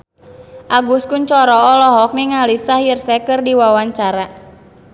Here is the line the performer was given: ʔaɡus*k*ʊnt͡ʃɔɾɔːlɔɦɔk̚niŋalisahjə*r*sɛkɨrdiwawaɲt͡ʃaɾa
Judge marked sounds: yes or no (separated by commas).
yes, yes